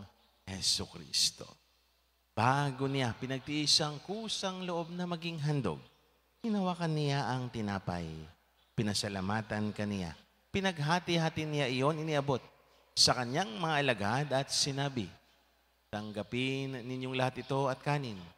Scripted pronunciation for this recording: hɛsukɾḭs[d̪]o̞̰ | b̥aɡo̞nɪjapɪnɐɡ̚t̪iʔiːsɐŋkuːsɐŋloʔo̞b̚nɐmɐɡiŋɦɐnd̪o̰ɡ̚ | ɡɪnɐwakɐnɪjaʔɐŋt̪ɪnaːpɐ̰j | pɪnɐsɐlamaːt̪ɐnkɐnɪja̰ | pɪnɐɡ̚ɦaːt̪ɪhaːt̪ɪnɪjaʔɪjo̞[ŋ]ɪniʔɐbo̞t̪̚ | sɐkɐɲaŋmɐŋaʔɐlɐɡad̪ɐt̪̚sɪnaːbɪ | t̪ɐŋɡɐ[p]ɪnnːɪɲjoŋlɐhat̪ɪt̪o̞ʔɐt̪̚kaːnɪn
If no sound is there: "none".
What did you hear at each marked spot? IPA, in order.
t̪, n, p

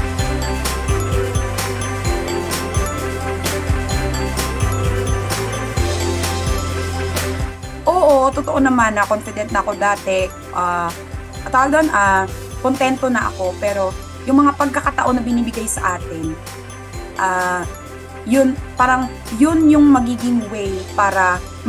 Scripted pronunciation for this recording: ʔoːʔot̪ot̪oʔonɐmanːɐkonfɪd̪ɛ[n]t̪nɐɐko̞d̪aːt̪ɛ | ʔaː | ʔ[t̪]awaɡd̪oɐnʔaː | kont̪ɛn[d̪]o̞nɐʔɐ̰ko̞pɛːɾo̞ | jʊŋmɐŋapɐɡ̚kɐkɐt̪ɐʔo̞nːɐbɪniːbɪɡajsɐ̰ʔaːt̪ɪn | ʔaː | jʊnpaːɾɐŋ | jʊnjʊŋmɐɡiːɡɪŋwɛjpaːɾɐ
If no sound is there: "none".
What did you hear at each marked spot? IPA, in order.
n, t̪, t̪

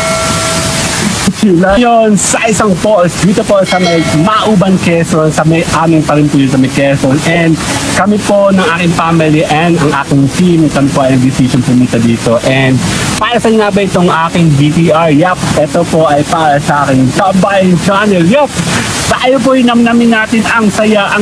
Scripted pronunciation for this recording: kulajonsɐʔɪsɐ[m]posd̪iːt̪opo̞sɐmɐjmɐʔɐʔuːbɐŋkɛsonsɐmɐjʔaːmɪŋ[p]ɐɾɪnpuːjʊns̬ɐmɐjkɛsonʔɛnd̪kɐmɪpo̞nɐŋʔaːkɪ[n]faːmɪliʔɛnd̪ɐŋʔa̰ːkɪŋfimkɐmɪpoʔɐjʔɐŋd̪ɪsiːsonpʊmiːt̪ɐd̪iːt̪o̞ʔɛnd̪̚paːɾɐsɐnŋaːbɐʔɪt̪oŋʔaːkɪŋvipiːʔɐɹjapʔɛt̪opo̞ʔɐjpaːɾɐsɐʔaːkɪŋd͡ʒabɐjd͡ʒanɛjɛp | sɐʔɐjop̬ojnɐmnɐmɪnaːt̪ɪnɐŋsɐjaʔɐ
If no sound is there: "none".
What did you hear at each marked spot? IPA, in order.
ŋ, p, ŋ

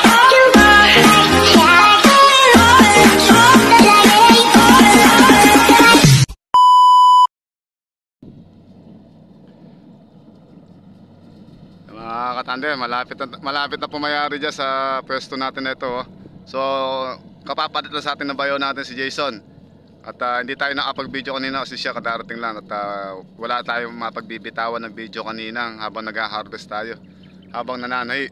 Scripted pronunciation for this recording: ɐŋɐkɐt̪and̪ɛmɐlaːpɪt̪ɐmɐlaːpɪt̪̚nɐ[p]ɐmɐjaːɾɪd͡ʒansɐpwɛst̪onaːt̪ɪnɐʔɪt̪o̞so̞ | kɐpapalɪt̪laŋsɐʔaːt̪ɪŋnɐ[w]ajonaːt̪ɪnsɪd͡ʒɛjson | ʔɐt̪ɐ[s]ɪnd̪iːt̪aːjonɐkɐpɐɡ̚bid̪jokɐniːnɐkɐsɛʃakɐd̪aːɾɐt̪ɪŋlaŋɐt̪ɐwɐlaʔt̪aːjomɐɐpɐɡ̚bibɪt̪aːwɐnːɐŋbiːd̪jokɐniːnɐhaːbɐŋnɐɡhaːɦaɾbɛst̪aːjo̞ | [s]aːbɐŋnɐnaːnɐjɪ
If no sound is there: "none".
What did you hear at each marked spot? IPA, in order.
p, b, h, h

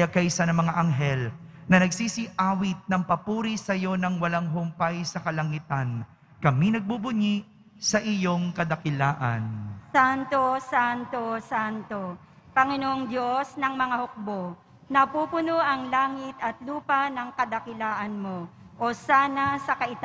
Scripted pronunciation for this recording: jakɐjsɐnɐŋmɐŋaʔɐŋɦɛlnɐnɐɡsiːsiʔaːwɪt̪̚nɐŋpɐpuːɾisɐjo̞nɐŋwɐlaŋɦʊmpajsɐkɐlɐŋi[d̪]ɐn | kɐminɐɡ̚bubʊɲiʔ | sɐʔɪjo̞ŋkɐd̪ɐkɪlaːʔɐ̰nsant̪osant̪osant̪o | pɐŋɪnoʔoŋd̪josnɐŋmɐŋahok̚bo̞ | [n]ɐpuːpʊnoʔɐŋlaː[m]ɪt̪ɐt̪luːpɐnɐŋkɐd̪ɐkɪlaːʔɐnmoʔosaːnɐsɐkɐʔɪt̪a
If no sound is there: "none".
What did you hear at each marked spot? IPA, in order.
t̪, n, ŋ

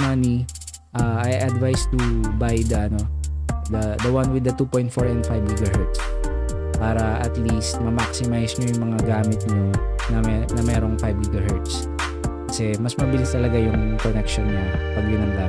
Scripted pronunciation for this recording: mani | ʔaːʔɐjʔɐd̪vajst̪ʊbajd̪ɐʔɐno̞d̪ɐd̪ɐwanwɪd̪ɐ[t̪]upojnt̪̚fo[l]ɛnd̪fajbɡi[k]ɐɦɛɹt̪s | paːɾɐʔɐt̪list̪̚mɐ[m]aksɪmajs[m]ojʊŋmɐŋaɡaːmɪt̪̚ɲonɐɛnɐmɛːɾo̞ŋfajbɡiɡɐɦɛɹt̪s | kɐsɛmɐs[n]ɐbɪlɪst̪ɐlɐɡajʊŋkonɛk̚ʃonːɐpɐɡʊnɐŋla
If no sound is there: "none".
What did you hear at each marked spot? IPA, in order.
t̪, ɹ, ɡ, m, ɲ, m

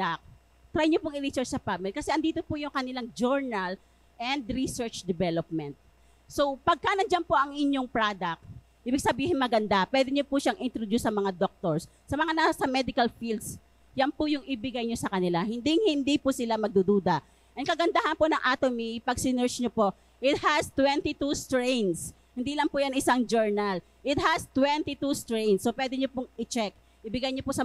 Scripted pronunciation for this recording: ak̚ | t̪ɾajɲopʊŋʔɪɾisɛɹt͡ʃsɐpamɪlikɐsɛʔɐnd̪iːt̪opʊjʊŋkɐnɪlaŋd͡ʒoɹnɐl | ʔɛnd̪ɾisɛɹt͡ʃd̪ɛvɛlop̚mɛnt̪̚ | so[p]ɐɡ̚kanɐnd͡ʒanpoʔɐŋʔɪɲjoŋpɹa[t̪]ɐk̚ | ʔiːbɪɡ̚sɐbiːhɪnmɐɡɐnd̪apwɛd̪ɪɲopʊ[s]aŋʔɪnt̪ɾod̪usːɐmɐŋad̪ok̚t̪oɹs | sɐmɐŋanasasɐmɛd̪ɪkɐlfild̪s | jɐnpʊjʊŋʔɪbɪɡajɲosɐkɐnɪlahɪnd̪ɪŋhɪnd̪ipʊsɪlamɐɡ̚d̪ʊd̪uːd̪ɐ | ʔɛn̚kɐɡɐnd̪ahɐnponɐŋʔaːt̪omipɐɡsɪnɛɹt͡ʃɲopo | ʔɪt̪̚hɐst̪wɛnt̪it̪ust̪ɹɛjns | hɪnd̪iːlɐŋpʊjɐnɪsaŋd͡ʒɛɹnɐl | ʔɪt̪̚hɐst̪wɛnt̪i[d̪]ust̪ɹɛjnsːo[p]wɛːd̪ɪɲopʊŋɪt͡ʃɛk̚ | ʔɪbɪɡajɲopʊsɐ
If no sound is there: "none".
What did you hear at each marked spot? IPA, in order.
p, d̪, ʃ, t̪, p

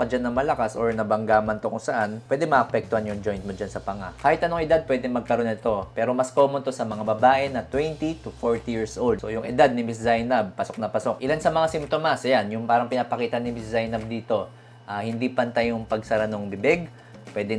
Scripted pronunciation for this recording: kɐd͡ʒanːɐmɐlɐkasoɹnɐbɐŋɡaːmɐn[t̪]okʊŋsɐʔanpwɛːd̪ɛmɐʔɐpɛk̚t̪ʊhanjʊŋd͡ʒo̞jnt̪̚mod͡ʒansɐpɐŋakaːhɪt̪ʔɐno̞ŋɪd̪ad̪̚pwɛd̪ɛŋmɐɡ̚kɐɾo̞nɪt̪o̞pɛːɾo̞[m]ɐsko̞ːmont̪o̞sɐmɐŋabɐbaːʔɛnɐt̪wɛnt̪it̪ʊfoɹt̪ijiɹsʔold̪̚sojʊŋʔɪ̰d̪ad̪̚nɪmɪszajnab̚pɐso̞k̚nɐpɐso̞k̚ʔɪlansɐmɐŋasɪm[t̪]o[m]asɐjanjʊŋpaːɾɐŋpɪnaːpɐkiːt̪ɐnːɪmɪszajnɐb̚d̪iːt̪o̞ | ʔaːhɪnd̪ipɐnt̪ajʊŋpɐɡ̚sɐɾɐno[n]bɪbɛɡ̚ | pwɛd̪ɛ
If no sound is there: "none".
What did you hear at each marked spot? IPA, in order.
t̪, m, t̪, m, ŋ

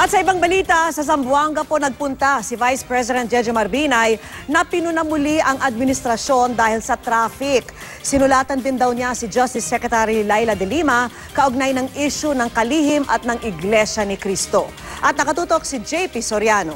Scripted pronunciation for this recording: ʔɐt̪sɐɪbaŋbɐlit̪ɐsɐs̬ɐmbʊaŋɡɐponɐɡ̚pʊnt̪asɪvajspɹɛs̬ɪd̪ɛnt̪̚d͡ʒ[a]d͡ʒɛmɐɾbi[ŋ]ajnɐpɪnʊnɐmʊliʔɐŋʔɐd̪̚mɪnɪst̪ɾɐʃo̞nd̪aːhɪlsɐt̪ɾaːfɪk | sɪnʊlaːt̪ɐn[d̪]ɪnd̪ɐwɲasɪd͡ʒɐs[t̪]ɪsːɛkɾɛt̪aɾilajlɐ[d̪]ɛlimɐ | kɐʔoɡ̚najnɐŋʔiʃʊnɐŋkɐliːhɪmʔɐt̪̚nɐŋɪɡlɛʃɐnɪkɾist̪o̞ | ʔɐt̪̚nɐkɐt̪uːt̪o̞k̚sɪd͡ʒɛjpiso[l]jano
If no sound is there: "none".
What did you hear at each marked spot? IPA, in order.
ɛ, n, d̪, t̪, d̪, ɾ

